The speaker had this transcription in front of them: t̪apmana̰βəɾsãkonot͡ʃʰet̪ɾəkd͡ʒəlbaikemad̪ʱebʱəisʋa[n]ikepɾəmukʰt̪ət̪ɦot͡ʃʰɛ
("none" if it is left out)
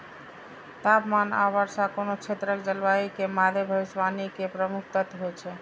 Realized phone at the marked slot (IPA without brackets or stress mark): n